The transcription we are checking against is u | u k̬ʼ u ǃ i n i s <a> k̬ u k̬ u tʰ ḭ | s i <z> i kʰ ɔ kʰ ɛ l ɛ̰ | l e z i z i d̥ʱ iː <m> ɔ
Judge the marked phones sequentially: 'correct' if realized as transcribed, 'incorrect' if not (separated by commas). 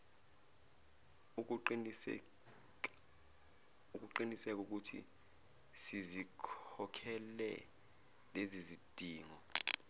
incorrect, correct, incorrect